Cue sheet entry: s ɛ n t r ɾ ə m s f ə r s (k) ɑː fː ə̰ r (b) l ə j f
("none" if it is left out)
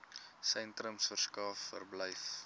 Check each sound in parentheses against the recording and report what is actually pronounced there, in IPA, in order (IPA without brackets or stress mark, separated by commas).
k, b